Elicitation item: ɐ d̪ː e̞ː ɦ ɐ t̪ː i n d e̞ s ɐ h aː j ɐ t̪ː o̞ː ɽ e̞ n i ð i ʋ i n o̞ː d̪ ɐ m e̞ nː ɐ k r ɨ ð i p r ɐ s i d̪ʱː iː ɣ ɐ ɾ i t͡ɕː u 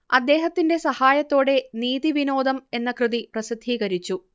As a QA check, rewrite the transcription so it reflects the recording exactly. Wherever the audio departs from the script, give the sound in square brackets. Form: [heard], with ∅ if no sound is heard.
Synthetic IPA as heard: ɐ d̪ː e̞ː ɦ ɐ t̪ː i n d e̞ s ɐ h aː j ɐ t̪ː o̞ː ɽ e̞ n [iː] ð i ʋ i n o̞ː d̪ ɐ m e̞ nː ɐ k r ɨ ð i p r ɐ s i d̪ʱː iː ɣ ɐ ɾ i t͡ɕː u